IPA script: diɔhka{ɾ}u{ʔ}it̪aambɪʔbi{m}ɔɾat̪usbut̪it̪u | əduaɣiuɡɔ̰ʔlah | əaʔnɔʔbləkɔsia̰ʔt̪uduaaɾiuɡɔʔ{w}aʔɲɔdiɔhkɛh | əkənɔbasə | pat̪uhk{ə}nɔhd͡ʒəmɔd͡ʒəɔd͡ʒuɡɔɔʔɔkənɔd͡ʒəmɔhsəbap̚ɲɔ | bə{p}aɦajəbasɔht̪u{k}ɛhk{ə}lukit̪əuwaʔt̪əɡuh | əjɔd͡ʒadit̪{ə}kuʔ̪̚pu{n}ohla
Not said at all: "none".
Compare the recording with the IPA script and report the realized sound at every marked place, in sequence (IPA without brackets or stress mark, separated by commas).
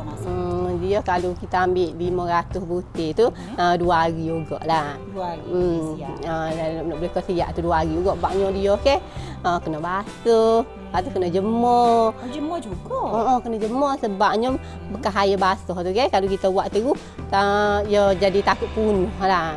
l, k, m, b, ə, k, k, a, a, n